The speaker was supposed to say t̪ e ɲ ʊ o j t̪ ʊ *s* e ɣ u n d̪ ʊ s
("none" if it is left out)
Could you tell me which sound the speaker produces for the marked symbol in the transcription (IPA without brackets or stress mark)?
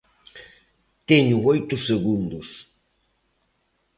s